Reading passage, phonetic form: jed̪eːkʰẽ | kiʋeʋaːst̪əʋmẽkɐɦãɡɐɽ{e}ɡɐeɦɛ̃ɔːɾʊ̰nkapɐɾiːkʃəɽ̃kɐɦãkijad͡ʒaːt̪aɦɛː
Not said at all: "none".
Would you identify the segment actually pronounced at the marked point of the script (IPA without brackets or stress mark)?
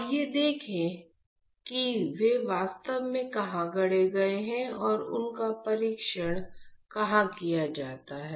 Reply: e